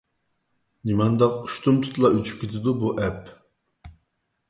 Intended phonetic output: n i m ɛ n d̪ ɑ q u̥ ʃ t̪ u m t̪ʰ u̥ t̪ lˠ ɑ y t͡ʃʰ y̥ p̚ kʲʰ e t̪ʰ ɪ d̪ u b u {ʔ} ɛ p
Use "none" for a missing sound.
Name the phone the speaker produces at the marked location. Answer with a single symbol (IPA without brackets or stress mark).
ʔ